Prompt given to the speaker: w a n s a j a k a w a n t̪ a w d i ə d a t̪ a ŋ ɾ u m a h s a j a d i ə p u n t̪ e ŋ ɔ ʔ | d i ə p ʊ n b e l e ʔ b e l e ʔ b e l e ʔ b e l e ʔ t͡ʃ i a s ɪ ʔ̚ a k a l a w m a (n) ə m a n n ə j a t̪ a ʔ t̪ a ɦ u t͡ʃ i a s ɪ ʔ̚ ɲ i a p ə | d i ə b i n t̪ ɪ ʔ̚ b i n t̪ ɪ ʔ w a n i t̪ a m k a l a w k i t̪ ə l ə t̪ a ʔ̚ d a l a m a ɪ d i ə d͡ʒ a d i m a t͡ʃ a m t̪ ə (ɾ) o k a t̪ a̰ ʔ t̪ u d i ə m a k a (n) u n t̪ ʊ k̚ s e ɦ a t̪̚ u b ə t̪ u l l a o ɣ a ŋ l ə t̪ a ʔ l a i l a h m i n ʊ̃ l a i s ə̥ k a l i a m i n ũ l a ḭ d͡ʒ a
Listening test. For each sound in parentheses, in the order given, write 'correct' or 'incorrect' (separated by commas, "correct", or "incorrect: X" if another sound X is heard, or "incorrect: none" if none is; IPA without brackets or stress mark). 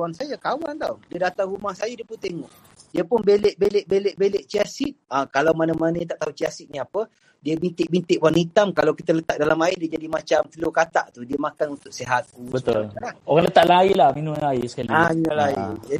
correct, incorrect: l, correct